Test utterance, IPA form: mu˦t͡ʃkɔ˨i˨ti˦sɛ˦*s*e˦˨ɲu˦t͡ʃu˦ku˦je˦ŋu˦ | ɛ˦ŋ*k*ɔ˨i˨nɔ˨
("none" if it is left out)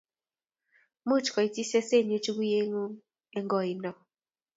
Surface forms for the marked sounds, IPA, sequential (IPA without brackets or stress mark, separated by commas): s, ɡ